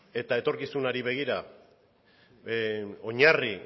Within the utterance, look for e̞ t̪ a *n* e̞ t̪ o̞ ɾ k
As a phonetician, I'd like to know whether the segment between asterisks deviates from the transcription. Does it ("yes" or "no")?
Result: yes